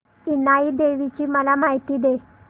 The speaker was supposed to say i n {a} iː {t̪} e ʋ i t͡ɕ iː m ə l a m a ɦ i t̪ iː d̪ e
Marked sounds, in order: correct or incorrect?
correct, incorrect: d̪

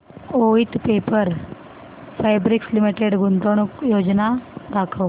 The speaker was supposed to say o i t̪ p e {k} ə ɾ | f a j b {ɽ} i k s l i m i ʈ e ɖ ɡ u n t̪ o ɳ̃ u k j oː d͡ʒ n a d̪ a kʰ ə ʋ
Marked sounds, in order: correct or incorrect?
incorrect: p, incorrect: ɾ

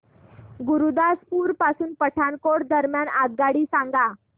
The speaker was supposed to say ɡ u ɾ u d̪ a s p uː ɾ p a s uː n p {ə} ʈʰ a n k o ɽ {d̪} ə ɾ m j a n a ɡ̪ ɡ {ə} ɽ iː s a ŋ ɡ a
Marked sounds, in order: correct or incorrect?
correct, correct, incorrect: a

